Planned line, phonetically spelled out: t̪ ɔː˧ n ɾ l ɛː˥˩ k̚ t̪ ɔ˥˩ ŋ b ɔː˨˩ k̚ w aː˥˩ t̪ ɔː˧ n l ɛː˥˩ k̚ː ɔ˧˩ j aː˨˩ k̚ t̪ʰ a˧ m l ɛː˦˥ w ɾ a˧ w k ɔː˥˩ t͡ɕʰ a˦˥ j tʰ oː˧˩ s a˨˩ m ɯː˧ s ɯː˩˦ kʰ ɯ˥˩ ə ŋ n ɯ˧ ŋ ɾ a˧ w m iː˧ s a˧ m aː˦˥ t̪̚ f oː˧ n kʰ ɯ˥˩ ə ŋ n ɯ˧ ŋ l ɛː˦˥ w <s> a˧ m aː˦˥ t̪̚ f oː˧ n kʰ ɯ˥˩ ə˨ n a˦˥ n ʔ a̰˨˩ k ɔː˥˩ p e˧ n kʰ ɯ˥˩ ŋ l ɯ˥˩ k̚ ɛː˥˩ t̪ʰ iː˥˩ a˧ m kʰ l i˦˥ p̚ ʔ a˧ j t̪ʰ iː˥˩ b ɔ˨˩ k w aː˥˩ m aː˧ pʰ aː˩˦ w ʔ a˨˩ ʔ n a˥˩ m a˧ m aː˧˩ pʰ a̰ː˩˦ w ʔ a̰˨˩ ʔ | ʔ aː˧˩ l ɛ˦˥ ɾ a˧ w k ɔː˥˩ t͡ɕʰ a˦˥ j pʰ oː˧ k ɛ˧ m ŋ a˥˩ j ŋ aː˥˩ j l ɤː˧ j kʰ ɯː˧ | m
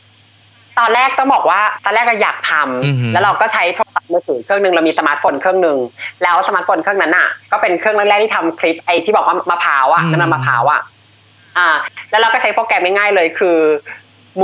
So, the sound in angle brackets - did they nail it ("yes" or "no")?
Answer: yes